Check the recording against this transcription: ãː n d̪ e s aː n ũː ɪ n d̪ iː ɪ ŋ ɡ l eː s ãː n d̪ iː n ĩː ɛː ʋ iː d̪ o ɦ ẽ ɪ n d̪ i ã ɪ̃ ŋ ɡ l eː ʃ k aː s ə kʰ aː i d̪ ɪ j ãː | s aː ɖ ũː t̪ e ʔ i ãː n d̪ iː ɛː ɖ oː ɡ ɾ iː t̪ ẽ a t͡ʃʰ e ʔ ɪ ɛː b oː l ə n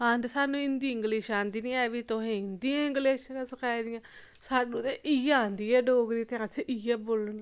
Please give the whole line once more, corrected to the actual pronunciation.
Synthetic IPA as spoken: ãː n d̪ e s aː n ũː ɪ n d̪ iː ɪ ŋ ɡ l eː ʃ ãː n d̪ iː n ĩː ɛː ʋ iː t̪ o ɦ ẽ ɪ n d̪ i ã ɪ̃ ŋ ɡ l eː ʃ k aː s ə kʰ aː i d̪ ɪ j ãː | s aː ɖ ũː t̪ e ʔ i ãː n d̪ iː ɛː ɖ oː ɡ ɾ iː t̪ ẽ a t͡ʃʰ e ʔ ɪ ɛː b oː l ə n

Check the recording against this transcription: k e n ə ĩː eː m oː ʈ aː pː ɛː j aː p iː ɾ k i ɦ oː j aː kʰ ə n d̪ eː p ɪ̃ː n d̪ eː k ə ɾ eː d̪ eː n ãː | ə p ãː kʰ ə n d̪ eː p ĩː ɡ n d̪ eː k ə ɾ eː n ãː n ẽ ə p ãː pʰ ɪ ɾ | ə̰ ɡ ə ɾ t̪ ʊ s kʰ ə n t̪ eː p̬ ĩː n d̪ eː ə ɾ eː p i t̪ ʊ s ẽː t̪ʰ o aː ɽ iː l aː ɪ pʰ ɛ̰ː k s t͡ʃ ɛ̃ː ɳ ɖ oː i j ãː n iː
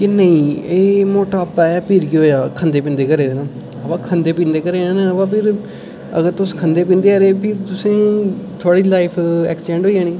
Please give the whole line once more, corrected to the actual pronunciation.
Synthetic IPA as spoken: k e n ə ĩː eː m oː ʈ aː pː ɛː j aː p iː ɾ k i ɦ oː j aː kʰ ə n d̪ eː p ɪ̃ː n d̪ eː k ə ɾ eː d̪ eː n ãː | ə p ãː kʰ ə n d̪ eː p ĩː n d̪ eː k ə ɾ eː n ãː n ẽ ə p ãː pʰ ɪ ɾ | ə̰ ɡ ə ɾ t̪ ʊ s kʰ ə n d̪ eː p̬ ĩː n d̪ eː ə ɾ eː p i t̪ ʊ s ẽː t̪ʰ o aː ɽ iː l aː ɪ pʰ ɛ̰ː k s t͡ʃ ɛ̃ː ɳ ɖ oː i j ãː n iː

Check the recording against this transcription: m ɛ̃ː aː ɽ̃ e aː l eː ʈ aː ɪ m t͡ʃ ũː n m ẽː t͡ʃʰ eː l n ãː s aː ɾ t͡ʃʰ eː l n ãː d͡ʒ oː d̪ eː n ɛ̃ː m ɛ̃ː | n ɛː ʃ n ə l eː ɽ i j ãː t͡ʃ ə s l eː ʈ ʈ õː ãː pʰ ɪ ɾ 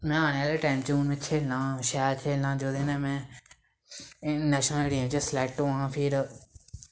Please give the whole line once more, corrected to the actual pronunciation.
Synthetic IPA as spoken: m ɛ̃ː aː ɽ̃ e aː l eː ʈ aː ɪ m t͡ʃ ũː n m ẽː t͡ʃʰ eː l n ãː ʃ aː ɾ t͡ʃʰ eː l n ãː d͡ʒ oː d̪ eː n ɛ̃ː m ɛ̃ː | n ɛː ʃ n ə l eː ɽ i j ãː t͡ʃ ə s l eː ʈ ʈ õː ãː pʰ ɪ ɾ

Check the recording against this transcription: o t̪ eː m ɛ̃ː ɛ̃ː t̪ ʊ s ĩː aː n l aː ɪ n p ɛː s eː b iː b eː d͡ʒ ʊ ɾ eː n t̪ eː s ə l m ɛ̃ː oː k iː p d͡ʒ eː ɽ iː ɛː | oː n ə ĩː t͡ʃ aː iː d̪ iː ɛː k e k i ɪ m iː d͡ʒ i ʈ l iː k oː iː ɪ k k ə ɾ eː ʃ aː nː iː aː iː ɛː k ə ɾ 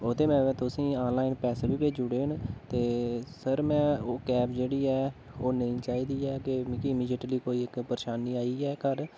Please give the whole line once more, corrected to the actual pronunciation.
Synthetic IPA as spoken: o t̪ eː m ɛ̃ː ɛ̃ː t̪ ʊ s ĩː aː n l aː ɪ n p ɛː s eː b iː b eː d͡ʒ ʊ ɽ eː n t̪ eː s ə ɾ m ɛ̃ː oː k ɛː p d͡ʒ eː ɽ iː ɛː | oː n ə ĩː t͡ʃ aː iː d̪ iː ɛː k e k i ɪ m iː d͡ʒ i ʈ l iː k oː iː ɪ k p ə ɾ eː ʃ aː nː iː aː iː ɛː k ə ɾ

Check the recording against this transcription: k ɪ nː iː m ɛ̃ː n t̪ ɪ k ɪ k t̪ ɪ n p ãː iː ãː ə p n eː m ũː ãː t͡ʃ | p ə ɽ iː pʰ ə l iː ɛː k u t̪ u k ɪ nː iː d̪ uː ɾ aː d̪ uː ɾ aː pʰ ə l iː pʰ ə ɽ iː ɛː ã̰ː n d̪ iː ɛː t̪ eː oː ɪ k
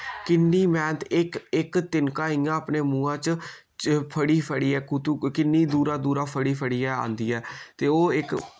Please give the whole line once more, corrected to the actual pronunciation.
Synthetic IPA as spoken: k ɪ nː iː m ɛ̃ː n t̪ ɪ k ɪ k t̪ ɪ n k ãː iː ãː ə p n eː m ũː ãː t͡ʃ | pʰ ə ɽ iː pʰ ə ɽ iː ɛː k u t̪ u k ɪ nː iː d̪ uː ɾ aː d̪ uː ɾ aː pʰ ə ɽ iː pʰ ə ɽ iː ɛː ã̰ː n d̪ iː ɛː t̪ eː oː ɪ k

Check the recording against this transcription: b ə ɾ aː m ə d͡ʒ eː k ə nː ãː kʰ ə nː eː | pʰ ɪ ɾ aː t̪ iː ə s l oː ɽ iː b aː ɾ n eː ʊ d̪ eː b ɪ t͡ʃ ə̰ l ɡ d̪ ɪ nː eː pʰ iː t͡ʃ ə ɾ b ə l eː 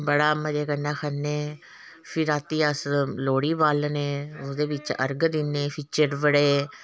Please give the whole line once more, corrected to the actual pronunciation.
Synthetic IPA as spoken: b ə ɽ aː m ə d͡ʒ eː k ə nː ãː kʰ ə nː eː | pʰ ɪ ɾ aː t̪ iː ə s l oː ɽ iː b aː l n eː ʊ d̪ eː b ɪ t͡ʃ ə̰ ɾ ɡ d̪ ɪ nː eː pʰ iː t͡ʃ ə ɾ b ə ɽ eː

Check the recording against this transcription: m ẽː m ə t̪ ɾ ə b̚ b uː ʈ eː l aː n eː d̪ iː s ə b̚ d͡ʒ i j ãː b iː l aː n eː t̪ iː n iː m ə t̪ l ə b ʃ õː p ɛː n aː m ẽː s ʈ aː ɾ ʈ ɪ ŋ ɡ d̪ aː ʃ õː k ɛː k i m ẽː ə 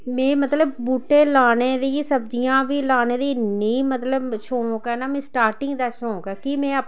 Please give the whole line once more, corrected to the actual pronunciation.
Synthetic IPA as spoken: m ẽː m ə t̪ l ə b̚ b uː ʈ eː l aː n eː d̪ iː s ə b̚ d͡ʒ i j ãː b iː l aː n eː d̪ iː n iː m ə t̪ l ə b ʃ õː k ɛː n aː m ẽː s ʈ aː ɾ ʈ ɪ ŋ ɡ d̪ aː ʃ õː k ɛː k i m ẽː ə

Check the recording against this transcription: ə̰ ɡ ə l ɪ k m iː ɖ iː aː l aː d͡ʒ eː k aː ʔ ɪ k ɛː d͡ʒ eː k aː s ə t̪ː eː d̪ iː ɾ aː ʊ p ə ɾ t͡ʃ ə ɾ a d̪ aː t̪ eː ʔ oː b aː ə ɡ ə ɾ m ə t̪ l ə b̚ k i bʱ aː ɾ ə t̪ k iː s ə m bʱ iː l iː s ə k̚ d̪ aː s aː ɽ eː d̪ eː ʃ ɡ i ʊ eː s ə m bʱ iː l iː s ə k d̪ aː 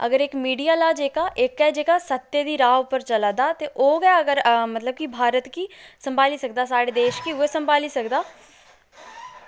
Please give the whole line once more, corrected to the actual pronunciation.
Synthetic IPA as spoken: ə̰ ɡ ə ɾ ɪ k m iː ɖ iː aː l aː d͡ʒ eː k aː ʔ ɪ k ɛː d͡ʒ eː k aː s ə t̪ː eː d̪ iː ɾ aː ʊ p ə ɾ t͡ʃ ə l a d̪ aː t̪ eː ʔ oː ɡ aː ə ɡ ə ɾ m ə t̪ l ə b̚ k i bʱ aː ɾ ə t̪ k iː s ə m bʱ aː l iː s ə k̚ d̪ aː s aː ɽ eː d̪ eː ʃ k i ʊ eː s ə m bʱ aː l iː s ə k d̪ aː

